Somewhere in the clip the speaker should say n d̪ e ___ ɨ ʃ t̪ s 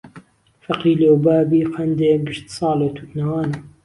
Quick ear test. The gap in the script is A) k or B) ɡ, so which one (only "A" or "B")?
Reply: B